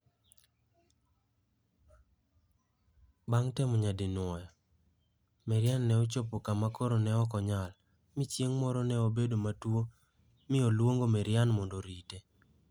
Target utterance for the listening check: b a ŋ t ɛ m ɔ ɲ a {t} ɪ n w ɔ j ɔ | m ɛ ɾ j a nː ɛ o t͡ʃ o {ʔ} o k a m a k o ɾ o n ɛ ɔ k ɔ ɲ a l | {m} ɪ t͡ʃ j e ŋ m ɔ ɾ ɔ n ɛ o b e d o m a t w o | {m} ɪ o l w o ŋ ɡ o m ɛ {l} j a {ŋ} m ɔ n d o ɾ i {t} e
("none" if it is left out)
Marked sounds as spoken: d, p, m, m, ɾ, n, t

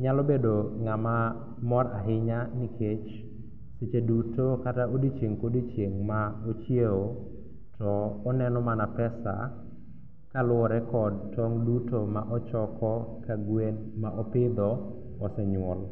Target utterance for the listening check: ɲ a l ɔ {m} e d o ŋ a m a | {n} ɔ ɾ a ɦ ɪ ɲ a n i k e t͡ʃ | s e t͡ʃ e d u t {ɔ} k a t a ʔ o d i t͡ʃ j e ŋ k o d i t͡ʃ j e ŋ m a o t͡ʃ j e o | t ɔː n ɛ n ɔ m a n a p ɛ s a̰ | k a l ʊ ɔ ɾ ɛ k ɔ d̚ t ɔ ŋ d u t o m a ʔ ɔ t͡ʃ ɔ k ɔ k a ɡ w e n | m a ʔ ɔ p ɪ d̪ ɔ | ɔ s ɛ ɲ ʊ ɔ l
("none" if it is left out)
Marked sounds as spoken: b, m, o

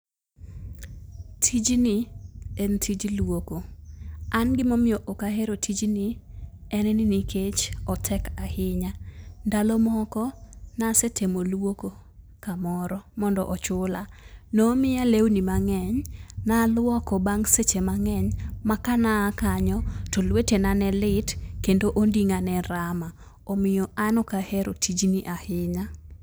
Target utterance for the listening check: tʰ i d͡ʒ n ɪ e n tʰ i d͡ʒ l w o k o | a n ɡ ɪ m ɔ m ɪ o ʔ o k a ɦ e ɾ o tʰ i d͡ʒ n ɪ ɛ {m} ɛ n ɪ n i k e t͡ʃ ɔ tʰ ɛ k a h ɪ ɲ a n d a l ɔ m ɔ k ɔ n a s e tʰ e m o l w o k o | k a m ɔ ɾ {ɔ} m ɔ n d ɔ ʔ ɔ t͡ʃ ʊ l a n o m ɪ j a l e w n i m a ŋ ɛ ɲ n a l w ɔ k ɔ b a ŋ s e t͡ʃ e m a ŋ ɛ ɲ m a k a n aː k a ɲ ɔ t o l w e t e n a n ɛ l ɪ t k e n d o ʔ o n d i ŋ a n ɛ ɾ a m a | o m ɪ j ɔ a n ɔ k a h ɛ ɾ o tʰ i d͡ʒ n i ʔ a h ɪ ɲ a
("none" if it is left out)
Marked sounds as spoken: n, ɔ

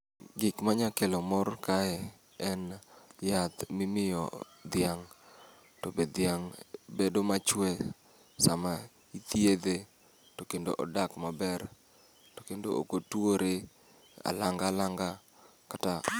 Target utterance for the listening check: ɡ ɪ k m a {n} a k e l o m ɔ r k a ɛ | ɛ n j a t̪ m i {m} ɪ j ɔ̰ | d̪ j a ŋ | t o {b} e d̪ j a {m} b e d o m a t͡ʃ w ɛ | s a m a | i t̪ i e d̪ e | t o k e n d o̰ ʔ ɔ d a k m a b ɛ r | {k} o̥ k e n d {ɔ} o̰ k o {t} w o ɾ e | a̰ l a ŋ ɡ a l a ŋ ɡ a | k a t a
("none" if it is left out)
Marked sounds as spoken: ɲ, m, b, ŋ, t, o, t

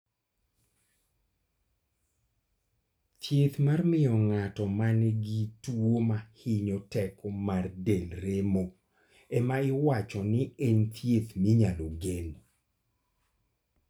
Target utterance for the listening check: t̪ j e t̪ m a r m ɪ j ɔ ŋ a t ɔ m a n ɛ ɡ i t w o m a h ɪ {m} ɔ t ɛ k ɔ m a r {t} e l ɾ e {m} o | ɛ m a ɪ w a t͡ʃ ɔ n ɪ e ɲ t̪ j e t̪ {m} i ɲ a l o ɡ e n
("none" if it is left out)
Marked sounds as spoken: ɲ, d, m, m

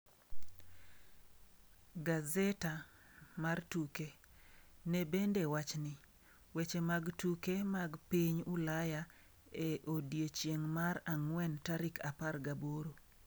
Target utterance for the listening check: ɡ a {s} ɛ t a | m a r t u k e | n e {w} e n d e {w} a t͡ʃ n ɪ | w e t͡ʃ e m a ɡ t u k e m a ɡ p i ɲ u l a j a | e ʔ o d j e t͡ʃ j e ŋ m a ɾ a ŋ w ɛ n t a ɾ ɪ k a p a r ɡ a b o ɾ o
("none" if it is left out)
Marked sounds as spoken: z, b, w

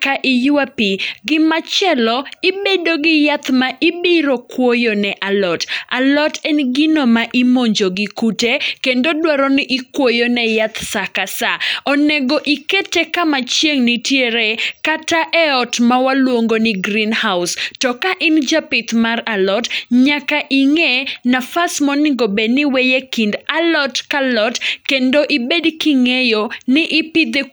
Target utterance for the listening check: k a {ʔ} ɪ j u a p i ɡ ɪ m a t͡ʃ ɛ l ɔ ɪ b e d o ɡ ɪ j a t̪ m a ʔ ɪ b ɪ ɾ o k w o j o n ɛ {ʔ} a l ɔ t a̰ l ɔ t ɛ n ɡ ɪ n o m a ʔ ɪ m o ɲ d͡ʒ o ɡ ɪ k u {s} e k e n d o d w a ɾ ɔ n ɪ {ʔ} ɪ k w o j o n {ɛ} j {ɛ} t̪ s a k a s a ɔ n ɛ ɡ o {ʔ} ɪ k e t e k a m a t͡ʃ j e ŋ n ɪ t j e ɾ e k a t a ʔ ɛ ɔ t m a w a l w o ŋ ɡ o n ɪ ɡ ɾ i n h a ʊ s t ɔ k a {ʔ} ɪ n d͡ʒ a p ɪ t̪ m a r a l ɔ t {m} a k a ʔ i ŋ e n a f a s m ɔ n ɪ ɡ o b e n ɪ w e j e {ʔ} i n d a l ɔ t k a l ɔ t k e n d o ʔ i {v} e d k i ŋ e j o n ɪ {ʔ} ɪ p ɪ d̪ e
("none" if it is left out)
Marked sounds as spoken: ʔ, ʔ, t, ʔ, ɛ, a, ʔ, ʔ, ɲ, k, b, ʔ

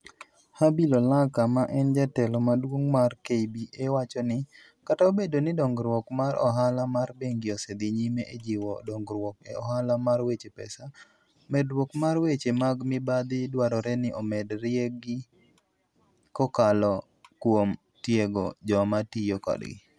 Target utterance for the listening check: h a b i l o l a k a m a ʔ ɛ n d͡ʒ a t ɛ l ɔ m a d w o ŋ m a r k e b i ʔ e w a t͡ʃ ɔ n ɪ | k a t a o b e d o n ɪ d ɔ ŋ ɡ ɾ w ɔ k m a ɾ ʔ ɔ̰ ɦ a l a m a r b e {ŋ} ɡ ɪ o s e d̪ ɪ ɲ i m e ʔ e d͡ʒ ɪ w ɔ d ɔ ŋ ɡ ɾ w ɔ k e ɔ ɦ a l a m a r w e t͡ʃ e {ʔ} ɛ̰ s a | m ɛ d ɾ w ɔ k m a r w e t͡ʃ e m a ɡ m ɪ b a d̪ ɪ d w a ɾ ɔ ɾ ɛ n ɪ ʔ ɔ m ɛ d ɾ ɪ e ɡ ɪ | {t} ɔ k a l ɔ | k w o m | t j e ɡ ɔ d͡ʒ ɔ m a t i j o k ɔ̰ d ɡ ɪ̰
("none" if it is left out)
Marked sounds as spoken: ŋ, p, k

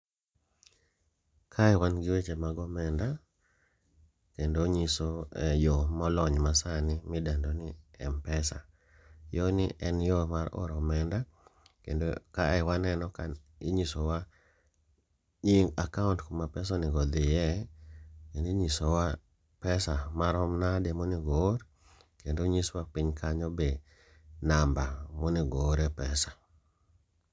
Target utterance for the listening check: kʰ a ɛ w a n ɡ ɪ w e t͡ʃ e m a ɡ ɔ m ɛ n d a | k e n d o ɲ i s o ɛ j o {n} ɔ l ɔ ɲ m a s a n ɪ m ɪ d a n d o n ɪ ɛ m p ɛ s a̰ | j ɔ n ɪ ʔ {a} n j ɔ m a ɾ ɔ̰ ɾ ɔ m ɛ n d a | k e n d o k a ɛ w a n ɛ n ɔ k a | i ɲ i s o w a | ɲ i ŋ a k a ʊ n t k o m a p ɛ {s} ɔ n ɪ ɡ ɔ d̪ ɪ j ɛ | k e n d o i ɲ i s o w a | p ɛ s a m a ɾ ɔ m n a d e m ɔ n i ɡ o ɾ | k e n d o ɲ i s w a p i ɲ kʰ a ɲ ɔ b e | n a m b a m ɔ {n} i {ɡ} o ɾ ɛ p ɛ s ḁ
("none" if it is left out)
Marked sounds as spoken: m, ɛ, s, n, ɡ

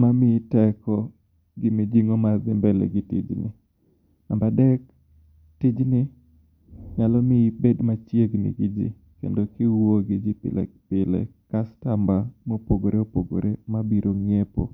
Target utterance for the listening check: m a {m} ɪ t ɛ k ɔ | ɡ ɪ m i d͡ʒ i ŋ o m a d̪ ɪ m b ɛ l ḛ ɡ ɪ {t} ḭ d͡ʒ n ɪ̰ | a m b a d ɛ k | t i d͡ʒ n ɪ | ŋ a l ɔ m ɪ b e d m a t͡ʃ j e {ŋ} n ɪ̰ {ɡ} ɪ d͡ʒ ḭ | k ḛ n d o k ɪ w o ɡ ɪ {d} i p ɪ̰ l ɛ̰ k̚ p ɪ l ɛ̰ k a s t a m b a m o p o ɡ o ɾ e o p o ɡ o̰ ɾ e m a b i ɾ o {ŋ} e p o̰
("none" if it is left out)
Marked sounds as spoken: m, t, ɡ, ɡ, d͡ʒ, ŋ

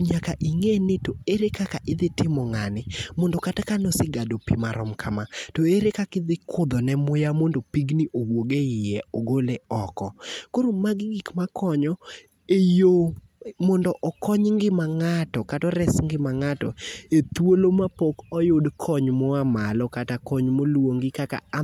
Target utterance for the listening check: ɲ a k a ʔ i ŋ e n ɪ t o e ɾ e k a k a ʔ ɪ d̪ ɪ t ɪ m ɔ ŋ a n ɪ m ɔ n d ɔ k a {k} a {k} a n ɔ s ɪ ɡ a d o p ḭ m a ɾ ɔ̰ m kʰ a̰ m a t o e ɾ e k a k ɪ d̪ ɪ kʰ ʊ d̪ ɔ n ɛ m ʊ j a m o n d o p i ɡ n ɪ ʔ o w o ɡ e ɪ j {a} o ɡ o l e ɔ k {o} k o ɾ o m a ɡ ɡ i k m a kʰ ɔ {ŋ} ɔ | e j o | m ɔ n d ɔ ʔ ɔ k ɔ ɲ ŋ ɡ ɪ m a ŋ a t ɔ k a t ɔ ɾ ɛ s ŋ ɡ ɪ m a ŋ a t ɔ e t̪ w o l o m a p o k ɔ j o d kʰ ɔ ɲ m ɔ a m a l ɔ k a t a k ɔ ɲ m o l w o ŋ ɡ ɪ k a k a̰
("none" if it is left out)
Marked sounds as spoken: t, k, ɛ, ɔ, ɲ

